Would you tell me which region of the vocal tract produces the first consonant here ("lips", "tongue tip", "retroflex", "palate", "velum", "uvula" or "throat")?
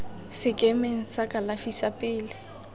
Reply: tongue tip